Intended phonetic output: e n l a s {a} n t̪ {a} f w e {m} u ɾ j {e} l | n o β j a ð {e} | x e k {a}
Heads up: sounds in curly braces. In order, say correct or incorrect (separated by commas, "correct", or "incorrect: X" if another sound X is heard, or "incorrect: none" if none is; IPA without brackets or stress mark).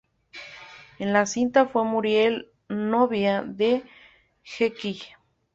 incorrect: i, correct, correct, correct, correct, incorrect: i